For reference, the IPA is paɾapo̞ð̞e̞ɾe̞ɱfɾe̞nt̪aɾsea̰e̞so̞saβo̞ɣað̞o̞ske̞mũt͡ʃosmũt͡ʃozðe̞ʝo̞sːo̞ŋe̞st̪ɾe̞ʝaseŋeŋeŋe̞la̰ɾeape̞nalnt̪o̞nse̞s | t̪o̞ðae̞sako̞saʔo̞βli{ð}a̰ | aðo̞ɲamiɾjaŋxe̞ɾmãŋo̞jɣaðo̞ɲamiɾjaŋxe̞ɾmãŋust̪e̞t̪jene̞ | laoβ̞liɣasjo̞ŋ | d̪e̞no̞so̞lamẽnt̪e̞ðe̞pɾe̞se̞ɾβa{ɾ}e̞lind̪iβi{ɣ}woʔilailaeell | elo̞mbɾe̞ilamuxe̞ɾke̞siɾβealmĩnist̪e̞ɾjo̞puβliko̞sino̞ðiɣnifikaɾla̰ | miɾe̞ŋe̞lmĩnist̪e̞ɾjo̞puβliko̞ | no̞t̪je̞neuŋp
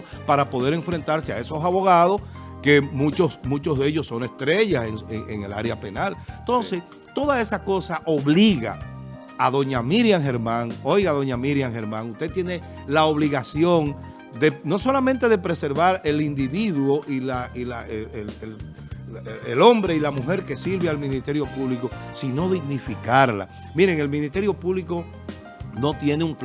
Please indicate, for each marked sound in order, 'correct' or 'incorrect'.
incorrect: ɣ, correct, incorrect: ð

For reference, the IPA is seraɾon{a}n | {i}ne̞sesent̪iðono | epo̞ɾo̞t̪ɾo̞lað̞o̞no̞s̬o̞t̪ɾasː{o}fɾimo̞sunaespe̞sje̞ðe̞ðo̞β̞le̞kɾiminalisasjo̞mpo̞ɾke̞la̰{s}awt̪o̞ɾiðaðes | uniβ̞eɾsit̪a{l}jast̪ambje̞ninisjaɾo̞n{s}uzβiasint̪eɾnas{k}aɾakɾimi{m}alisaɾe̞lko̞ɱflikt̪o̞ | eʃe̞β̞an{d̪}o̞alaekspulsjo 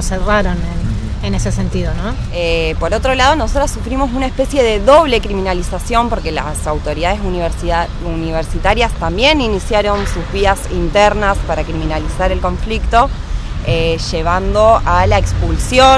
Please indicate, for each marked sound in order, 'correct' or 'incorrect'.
incorrect: e, incorrect: e, incorrect: u, correct, incorrect: ɾ, correct, incorrect: p, incorrect: n, correct

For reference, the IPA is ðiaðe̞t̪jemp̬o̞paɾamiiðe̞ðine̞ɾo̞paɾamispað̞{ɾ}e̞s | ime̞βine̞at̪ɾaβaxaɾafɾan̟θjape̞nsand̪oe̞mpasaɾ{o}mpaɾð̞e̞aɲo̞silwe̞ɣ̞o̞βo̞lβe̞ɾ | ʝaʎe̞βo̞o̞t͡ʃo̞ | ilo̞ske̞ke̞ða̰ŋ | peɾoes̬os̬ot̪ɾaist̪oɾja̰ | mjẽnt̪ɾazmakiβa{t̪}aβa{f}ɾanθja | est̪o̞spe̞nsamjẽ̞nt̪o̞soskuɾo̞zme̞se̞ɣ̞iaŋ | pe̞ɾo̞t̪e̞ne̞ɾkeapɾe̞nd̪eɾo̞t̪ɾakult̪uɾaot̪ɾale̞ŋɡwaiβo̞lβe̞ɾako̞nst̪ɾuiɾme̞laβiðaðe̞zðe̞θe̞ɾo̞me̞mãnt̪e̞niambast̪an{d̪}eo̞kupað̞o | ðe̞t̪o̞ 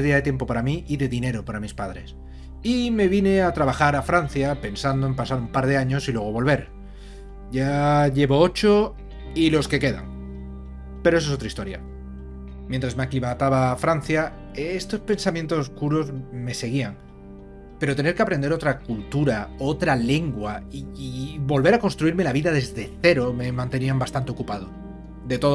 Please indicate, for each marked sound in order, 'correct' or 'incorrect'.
correct, incorrect: u, correct, correct, incorrect: t̪

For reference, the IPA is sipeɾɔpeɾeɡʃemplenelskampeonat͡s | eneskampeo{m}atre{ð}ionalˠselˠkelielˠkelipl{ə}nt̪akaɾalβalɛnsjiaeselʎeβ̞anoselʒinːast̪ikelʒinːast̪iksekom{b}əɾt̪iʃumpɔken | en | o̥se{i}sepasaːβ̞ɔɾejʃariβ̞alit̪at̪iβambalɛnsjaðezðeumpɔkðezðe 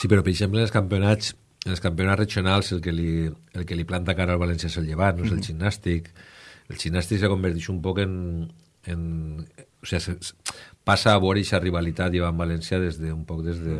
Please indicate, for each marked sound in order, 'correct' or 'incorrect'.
incorrect: n, incorrect: ʒ, incorrect: a, correct, incorrect: a

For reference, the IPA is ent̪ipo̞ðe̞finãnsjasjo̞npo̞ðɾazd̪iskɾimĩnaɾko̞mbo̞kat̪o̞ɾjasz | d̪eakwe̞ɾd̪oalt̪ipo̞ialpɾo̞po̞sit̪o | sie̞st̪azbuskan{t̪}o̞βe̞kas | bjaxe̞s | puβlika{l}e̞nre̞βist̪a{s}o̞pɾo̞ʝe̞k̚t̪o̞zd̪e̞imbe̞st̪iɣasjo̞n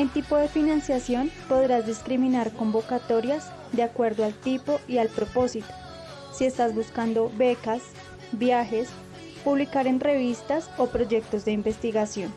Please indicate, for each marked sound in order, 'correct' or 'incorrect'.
incorrect: d̪, incorrect: ɾ, correct

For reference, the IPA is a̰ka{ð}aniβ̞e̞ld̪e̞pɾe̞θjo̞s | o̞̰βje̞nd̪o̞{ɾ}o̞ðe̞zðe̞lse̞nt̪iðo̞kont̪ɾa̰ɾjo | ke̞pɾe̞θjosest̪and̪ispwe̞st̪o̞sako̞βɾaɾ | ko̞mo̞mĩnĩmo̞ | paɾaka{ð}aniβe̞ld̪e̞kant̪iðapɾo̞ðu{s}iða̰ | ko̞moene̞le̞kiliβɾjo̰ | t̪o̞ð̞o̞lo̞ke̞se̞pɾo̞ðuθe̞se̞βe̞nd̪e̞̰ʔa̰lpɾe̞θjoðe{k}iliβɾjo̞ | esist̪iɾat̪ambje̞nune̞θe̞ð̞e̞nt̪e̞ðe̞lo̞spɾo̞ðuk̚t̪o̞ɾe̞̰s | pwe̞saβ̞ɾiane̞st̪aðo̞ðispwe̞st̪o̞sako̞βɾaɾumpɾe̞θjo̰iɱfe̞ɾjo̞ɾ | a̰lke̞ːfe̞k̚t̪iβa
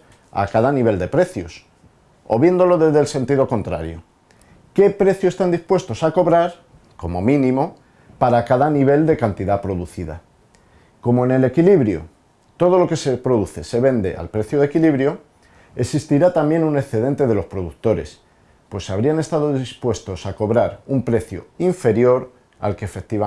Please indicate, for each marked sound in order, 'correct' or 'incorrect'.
correct, incorrect: l, correct, incorrect: θ, correct

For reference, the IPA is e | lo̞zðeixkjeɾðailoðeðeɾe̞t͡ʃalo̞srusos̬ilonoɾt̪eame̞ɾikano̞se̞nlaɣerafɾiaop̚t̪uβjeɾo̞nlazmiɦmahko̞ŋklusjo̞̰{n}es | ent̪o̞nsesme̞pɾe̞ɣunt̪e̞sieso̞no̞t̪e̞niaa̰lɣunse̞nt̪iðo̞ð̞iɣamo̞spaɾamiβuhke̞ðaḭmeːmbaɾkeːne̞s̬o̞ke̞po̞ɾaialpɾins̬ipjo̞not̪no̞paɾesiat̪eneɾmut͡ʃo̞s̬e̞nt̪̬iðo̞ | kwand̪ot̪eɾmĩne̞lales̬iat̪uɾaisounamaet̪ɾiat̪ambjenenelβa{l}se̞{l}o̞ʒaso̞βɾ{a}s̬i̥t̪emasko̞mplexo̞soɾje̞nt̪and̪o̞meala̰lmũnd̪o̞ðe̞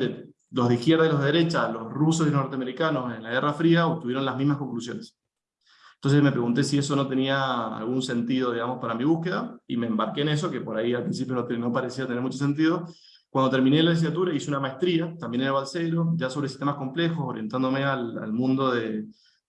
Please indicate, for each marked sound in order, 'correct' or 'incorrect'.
correct, correct, incorrect: ɾ, incorrect: e

